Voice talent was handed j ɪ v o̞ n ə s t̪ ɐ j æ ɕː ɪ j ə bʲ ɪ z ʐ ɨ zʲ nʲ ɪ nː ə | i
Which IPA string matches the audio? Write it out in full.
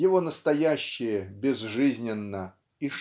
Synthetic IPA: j ɪ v o̞ n ə s t̪ ɐ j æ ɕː ɪ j ə bʲ ɪ z ʐ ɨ zʲ nʲ ɪ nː ə | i